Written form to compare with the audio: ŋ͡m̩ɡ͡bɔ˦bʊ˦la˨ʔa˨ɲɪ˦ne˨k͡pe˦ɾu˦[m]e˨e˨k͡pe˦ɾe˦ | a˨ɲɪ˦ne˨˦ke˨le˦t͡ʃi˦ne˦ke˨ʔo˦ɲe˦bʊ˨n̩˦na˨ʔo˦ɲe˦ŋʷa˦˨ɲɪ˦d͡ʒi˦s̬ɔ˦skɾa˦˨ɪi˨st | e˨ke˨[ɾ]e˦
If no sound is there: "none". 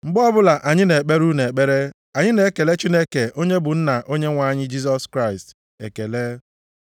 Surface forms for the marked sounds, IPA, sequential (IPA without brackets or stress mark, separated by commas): n, l